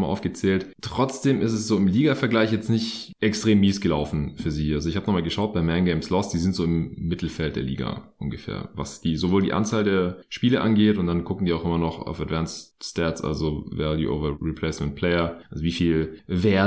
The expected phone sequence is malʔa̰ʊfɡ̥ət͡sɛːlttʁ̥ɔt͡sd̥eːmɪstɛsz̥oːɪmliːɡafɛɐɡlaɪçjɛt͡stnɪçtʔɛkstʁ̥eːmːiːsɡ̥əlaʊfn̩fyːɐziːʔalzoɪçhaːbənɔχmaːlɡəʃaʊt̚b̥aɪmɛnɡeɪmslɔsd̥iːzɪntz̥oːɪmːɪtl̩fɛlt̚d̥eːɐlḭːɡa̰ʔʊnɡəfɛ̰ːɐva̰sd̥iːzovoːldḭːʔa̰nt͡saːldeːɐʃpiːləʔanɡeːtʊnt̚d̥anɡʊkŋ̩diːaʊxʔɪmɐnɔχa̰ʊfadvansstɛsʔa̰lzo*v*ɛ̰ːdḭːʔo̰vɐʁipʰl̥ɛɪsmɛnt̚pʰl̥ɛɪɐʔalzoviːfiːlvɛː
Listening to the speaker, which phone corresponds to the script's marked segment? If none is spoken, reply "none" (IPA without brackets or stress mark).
v